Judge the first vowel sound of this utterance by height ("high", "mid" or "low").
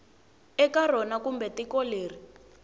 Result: mid